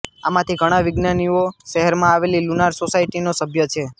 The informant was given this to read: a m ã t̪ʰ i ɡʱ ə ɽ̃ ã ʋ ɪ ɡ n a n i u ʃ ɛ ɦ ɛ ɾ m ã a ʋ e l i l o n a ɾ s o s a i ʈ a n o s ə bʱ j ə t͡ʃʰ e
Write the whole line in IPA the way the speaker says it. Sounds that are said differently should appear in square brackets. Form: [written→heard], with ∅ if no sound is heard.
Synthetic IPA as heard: a m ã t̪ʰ i ɡʱ ə ɽ̃ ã ʋ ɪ ɡ n a n i [u→o] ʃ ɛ ɦ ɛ ɾ m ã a ʋ e l i l [o→u] n a ɾ s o s a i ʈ [a→i] n o s ə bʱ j ə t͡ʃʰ e